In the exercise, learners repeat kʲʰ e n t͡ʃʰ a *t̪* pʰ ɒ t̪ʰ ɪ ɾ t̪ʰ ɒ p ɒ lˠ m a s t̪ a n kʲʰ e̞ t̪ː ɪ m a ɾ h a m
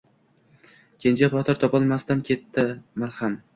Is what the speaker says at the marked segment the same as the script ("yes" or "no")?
no